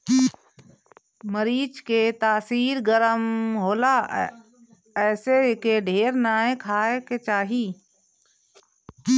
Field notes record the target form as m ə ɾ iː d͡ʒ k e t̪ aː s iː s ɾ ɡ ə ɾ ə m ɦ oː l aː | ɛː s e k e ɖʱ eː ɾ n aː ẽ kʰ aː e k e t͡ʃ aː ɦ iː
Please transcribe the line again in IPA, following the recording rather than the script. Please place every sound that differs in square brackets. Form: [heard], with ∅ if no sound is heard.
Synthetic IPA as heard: m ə ɾ iː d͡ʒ k e t̪ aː s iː [∅] ɾ ɡ ə ɾ ə m ɦ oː l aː | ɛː s e k e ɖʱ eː ɾ n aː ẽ kʰ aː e k e t͡ʃ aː ɦ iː

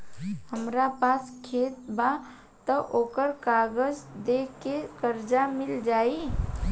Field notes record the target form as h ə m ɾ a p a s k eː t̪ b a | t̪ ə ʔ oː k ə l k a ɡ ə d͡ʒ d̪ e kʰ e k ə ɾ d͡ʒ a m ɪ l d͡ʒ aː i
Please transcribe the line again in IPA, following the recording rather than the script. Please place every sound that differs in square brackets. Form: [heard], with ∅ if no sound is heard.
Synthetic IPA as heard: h ə m ɾ a p a s [kʰ] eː t̪ b a | t̪ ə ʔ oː k ə [ɾ] k a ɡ ə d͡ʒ d̪ e [k] e k ə ɾ d͡ʒ a m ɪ l d͡ʒ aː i

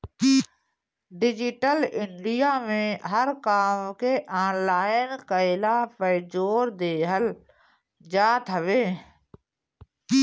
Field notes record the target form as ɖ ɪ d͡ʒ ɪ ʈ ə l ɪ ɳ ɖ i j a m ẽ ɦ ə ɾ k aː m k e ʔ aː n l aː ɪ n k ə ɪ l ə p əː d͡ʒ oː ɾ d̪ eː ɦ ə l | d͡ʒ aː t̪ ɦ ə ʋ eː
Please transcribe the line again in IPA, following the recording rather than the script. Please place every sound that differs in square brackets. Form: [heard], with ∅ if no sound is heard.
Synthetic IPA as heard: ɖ ɪ d͡ʒ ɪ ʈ ə l ɪ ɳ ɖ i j a m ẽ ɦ ə ɾ k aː m k e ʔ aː n l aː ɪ n k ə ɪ l [a] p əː d͡ʒ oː ɾ d̪ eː ɦ ə l | d͡ʒ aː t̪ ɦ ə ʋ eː

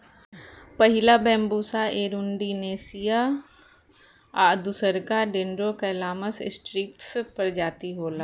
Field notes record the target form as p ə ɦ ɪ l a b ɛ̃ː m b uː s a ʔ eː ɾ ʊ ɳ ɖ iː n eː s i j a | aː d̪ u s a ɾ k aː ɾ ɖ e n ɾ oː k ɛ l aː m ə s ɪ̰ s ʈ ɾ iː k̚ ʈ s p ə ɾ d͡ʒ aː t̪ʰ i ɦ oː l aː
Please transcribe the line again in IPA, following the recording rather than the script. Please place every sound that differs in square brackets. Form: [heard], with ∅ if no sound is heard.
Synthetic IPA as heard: p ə ɦ ɪ l a b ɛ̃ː m b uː s a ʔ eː ɾ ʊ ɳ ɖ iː n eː s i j a | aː d̪ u s [ə] ɾ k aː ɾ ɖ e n ɾ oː k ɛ l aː m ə s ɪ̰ s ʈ ɾ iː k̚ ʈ s p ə ɾ d͡ʒ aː [t̪] i ɦ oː l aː

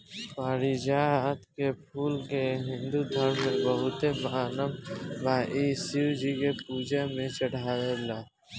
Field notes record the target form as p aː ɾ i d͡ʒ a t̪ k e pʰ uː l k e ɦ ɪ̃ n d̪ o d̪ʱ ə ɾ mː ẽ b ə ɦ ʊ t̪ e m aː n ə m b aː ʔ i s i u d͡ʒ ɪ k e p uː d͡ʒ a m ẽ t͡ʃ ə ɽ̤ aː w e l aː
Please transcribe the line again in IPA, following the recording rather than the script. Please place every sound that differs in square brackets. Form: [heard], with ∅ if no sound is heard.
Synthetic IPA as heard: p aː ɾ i d͡ʒ a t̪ k e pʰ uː l k e ɦ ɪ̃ n d̪ [u] d̪ʱ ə ɾ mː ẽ b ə ɦ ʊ t̪ e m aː n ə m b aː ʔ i s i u d͡ʒ [i] k e p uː d͡ʒ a m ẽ t͡ʃ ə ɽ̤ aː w e l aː

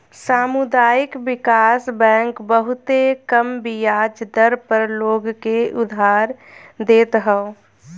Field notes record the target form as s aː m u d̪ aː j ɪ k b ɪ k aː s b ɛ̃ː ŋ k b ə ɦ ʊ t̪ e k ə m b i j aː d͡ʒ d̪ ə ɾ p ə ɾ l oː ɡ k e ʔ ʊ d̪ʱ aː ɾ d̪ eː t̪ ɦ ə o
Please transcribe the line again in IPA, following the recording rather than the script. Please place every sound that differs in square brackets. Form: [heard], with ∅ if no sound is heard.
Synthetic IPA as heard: s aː m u d̪ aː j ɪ k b ɪ k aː s b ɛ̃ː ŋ k b ə ɦ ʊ t̪ e k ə m b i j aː d͡ʒ d̪ ə ɾ p ə ɾ l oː ɡ k e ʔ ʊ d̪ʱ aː ɾ d̪ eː t̪ ɦ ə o

